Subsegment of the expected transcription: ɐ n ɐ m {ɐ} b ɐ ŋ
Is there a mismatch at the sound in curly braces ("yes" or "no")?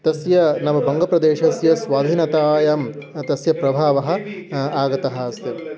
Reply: no